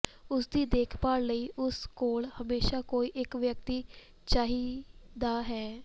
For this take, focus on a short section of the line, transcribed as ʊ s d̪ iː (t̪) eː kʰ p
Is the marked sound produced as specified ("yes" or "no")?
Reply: no